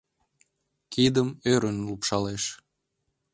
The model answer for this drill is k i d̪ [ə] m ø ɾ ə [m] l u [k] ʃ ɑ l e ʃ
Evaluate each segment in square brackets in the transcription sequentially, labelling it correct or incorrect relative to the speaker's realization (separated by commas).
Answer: correct, incorrect, incorrect